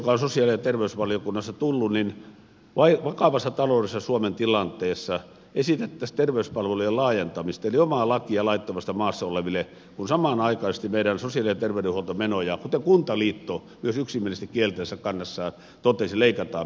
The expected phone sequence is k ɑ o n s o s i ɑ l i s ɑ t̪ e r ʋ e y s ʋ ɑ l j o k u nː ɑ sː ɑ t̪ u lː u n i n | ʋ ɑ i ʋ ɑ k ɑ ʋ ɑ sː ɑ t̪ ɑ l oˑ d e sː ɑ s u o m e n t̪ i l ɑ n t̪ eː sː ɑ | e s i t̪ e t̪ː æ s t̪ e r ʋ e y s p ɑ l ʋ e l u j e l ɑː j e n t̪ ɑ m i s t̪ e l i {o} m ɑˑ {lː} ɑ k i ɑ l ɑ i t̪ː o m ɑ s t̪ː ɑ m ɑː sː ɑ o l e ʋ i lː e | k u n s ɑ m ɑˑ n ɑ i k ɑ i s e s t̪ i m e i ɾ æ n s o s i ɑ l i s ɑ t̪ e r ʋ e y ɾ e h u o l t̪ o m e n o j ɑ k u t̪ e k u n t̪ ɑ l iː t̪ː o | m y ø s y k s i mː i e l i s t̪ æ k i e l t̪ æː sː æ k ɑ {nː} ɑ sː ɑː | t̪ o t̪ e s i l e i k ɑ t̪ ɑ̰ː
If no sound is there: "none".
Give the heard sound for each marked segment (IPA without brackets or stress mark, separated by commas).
o, l, nː